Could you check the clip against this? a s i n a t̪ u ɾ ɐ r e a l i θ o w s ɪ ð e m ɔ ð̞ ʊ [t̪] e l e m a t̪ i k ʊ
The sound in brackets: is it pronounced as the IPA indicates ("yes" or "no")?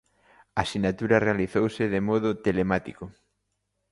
yes